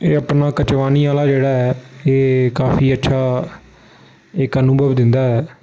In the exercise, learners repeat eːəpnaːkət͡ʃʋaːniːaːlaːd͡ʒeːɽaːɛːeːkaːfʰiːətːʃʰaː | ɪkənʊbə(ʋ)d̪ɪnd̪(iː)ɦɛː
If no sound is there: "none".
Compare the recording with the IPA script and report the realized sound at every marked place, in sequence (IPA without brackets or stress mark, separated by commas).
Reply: ʋ, aː